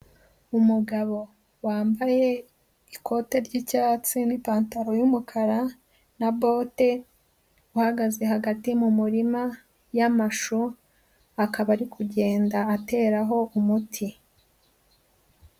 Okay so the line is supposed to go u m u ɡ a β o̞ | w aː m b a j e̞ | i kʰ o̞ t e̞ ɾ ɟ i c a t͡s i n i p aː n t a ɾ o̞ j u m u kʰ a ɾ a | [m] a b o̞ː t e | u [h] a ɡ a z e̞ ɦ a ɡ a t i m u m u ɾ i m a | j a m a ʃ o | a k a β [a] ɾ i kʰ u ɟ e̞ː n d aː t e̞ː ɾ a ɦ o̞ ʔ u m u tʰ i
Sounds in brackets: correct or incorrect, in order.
incorrect: n, correct, correct

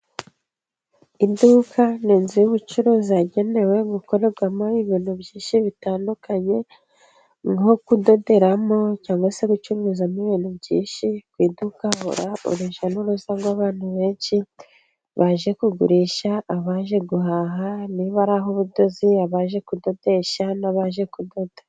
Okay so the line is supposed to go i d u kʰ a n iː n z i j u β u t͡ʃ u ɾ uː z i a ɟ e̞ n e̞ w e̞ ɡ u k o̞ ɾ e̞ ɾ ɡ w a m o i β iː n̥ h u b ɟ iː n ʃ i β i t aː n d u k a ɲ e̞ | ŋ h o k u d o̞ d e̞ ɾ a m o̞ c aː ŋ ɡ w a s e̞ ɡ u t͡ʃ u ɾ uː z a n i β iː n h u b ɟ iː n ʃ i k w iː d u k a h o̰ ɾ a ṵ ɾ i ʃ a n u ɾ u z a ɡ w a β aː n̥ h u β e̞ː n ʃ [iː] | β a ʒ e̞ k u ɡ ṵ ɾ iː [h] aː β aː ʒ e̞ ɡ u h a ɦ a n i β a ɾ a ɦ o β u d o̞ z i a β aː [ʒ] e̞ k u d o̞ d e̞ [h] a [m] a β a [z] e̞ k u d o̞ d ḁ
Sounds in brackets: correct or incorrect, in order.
incorrect: i, incorrect: ʃ, correct, incorrect: ʃ, incorrect: n, incorrect: ʒ

